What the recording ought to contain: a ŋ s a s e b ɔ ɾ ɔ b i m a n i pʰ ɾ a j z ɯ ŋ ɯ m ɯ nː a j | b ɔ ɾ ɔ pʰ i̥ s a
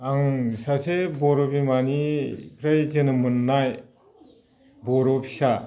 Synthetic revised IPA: a ŋ s a s e b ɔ ɾ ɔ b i m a n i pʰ ɾ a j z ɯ n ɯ m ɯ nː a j | b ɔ ɾ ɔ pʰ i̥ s a